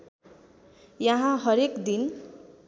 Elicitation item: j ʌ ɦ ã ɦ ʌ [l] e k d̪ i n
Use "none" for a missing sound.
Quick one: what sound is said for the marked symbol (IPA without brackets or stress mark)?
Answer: ɾ